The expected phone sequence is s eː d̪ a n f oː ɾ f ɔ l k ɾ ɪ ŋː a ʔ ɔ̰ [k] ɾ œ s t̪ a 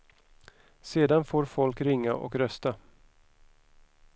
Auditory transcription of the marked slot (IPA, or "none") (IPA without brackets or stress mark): k